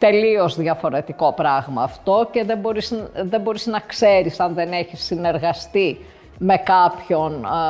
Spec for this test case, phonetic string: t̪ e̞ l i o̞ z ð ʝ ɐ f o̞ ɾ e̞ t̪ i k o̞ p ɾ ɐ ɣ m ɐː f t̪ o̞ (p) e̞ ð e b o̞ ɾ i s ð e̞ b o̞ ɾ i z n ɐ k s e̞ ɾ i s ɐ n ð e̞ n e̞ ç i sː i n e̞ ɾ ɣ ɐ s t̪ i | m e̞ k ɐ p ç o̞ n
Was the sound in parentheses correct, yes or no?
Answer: no